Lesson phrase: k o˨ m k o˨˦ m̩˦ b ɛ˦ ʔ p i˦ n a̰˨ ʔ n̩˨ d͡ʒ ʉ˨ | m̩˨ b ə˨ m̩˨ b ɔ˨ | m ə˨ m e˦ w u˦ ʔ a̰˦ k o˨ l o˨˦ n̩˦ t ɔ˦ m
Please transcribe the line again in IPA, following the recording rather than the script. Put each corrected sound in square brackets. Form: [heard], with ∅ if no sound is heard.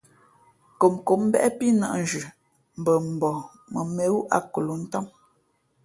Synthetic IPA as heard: k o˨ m k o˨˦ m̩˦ b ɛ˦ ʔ p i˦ n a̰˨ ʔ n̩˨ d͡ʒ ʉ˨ | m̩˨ b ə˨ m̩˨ b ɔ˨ | m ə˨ m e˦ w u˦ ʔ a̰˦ k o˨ l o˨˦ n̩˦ t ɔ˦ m